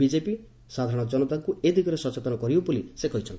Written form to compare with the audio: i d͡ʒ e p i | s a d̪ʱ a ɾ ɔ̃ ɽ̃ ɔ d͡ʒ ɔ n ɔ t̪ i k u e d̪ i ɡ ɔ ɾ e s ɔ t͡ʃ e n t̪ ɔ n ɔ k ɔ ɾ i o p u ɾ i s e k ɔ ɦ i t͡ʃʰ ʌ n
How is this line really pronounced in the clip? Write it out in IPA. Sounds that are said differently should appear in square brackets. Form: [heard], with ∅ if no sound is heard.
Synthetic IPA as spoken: i d͡ʒ e p i | s a d̪ʱ a ɾ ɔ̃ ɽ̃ ɔ d͡ʒ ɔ n ɔ t̪ [a] k u e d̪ i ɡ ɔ ɾ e s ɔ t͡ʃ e [∅] t̪ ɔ n ɔ k ɔ ɾ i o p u [l] i s e k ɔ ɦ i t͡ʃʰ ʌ n